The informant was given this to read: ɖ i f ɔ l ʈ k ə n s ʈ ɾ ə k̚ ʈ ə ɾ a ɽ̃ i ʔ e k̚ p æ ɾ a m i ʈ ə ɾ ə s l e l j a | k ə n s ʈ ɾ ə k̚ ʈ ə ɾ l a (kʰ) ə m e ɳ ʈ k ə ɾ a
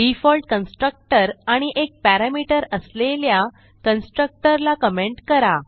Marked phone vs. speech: incorrect: k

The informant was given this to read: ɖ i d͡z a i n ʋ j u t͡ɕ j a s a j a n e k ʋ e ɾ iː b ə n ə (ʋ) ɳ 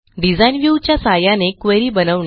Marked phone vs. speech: correct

